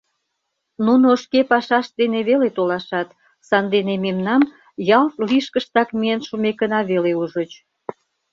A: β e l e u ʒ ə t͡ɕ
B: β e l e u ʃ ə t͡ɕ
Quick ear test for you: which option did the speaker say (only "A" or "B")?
A